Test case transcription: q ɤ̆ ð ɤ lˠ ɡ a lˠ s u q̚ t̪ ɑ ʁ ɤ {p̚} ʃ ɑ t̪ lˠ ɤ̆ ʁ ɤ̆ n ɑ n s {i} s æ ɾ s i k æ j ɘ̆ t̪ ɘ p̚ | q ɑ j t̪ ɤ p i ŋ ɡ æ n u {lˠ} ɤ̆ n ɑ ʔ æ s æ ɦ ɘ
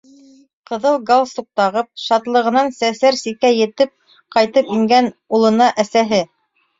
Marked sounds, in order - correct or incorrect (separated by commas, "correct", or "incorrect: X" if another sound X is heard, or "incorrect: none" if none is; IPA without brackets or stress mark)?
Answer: correct, incorrect: æ, correct